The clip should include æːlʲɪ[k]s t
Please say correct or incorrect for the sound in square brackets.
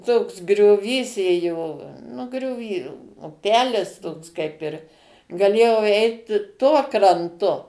incorrect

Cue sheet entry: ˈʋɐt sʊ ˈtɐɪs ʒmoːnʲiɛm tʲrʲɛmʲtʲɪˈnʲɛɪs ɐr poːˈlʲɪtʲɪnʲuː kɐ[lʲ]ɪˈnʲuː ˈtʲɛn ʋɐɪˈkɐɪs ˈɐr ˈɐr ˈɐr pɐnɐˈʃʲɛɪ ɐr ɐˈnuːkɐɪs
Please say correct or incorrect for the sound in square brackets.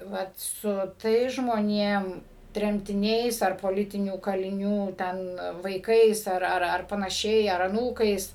correct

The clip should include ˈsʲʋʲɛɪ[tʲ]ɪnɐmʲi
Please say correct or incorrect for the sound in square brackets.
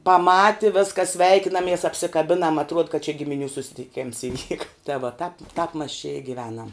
incorrect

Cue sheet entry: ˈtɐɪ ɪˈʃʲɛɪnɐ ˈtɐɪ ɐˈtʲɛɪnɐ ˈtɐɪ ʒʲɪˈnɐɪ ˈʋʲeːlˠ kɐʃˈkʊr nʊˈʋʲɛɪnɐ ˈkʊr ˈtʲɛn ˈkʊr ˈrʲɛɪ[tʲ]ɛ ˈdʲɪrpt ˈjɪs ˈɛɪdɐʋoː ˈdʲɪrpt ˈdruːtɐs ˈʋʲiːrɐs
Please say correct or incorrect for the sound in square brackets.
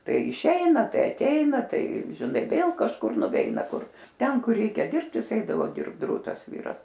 incorrect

